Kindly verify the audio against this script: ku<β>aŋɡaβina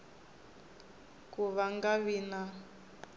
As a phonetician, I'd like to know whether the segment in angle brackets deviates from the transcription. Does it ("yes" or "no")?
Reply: no